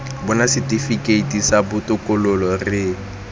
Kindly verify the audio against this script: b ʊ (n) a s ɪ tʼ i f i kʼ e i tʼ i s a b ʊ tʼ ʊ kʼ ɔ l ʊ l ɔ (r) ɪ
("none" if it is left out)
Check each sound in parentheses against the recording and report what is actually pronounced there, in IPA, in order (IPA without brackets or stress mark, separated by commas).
n, r